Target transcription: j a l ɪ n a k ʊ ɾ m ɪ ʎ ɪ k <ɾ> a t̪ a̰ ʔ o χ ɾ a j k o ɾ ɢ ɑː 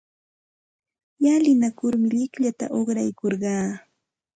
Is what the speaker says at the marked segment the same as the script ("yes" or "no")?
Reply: no